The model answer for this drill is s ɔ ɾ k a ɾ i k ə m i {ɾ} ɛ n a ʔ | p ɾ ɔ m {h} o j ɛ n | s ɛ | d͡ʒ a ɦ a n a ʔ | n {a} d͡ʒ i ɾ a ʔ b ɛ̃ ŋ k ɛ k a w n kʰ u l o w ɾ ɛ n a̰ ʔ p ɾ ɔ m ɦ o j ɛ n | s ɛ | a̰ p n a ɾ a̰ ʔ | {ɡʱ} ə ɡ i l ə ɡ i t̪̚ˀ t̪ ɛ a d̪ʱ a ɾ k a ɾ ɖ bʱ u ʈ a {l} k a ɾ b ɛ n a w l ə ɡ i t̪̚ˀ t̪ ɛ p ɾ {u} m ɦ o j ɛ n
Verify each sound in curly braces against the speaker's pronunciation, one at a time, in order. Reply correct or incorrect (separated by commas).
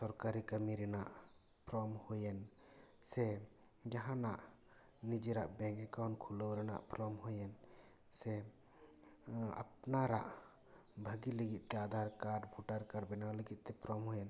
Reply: correct, correct, incorrect, incorrect, incorrect, incorrect